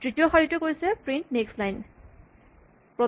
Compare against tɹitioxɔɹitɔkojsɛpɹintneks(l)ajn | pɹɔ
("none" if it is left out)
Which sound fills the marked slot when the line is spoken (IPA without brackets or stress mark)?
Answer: l